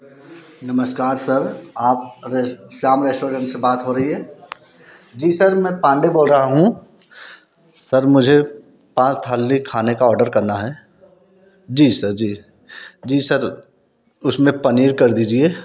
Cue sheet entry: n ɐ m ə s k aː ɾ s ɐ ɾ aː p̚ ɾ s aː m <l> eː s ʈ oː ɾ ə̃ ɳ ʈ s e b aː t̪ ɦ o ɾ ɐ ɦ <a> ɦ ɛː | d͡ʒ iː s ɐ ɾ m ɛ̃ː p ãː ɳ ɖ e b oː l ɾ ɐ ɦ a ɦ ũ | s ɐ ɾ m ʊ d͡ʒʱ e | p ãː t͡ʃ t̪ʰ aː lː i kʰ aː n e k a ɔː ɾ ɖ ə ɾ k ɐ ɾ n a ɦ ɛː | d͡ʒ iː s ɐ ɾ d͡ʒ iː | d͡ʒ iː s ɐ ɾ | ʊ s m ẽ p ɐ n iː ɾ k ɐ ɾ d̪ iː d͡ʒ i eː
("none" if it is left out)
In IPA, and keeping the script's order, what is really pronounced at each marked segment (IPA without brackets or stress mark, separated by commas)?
ɾ, i